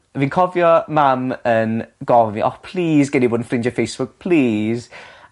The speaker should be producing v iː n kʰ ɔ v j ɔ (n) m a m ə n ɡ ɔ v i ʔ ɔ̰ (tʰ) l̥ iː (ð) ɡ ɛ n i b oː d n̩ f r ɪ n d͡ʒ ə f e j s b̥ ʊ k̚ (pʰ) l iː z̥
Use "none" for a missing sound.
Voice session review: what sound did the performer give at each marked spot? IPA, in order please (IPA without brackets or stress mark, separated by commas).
none, pʰ, z, pʰ